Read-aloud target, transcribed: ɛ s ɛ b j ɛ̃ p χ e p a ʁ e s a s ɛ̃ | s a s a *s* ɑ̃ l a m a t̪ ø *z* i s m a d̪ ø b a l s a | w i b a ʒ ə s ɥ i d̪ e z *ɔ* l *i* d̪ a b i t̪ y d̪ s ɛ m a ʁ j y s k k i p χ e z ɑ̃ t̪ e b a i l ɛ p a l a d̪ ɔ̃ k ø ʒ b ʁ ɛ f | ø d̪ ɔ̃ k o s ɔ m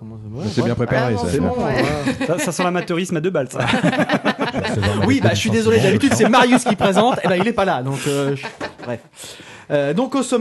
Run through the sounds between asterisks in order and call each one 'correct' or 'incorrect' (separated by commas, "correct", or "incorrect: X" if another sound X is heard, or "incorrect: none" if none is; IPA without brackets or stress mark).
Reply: correct, incorrect: ʁ, correct, incorrect: e